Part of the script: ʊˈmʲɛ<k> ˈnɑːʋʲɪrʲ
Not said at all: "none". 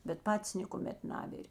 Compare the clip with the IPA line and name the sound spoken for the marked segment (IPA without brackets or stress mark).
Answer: t